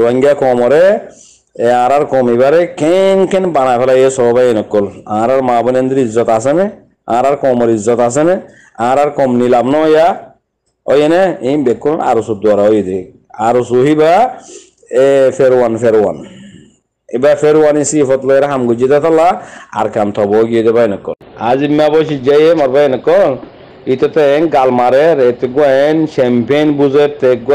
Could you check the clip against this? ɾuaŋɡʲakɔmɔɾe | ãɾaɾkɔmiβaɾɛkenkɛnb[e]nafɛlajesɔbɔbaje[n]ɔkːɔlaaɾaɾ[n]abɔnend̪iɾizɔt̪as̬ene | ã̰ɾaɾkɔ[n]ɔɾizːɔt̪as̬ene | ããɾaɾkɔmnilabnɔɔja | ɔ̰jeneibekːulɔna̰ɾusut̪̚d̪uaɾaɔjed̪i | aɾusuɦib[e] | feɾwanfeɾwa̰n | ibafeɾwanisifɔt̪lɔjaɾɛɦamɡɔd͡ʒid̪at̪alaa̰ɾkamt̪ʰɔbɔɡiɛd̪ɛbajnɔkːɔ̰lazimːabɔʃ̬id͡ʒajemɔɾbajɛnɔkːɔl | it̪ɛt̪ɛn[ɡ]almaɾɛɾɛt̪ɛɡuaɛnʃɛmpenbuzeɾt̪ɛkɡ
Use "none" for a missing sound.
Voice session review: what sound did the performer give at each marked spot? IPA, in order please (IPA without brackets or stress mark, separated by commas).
a, n, m, m, a, ɡ